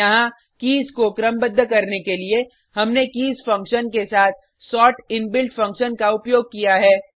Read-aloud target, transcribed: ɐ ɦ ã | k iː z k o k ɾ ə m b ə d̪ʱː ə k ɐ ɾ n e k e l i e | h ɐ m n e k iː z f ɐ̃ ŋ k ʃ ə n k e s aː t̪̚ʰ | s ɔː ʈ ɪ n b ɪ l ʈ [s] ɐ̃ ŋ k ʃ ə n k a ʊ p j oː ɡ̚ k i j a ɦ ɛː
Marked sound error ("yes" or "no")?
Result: yes